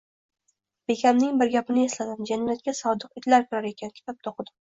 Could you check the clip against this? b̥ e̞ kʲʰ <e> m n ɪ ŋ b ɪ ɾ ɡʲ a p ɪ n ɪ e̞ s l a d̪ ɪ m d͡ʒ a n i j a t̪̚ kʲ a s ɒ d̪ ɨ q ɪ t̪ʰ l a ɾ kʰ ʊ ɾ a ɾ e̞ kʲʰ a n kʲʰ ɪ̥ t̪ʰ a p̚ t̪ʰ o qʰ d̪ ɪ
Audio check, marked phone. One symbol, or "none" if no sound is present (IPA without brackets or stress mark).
a